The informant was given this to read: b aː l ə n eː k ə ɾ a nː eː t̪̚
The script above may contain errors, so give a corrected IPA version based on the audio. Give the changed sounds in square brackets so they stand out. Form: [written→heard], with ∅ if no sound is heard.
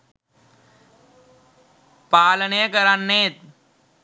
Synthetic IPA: [b→p] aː l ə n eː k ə ɾ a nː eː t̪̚